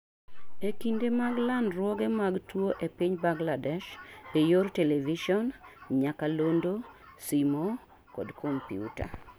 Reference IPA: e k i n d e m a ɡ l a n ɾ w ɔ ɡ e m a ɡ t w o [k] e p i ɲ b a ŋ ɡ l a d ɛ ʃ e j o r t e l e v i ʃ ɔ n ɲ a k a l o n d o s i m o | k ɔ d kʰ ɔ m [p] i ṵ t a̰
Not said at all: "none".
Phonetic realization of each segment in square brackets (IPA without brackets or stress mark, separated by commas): ʔ, p